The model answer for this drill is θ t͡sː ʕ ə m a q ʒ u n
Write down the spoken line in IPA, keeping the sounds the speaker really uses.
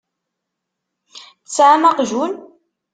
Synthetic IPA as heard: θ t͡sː ʕ a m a q ʒ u n